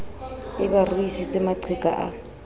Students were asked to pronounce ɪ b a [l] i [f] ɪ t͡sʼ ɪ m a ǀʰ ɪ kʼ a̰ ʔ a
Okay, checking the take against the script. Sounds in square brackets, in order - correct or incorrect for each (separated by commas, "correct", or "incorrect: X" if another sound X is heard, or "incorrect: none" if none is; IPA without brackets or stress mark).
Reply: incorrect: r, incorrect: s